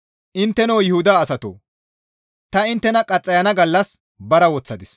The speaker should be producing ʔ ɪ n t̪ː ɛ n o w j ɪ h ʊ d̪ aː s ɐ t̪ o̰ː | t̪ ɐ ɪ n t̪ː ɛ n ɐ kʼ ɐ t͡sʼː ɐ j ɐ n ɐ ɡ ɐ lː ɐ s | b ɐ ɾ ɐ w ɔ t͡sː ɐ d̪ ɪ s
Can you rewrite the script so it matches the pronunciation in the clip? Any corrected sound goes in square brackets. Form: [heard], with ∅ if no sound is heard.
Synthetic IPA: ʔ ɪ n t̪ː ɛ n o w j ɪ h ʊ d̪ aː s ɐ t̪ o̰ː | t̪ ɐ ɪ n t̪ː ɛ n ɐ kʼ ɐ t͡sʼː ɐ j ɐ n ɐ ɡ ɐ lː ɐ s | b ɐ ɾ ɐ w ɔ t͡sː ɐ d̪ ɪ s